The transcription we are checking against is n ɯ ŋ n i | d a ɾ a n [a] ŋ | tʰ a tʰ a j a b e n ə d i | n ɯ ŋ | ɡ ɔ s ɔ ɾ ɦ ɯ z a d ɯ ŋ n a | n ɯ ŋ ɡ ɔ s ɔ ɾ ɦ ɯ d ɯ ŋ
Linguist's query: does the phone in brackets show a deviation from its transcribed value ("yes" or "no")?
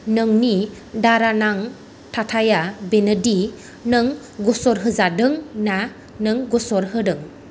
no